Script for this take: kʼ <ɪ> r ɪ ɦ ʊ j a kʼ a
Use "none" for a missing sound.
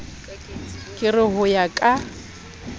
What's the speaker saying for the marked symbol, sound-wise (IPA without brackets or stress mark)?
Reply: ɪ